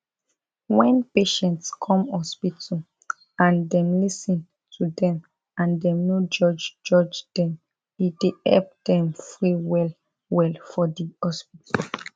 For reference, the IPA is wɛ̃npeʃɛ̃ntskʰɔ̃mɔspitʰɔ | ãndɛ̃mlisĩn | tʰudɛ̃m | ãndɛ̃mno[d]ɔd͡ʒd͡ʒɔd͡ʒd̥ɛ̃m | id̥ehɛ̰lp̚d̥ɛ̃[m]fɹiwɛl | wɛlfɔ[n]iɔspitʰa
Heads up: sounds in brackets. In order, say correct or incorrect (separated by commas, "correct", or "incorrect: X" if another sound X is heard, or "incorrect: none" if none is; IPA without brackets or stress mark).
incorrect: d͡ʒ, correct, incorrect: d